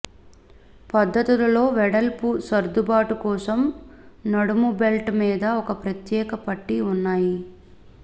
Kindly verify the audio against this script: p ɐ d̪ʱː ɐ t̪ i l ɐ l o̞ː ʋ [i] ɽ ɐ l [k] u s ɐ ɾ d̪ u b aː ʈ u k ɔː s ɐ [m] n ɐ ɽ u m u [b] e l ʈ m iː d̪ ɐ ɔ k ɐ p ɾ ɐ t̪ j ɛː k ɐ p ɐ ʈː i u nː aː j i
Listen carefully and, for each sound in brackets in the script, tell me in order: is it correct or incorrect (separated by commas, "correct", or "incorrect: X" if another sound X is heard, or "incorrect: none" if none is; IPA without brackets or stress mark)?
incorrect: ɛ, incorrect: p, correct, correct